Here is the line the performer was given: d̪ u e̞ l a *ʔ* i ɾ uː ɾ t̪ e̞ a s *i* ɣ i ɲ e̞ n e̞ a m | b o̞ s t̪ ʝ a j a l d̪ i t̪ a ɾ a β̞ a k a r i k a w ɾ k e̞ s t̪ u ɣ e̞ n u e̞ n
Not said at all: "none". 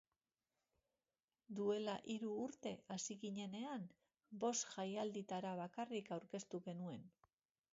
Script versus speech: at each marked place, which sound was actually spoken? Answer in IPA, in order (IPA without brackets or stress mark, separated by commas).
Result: ʔ, i